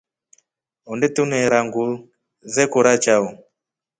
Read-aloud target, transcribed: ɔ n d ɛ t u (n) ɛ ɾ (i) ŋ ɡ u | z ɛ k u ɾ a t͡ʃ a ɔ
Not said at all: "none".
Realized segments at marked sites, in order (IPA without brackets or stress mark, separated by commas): n, a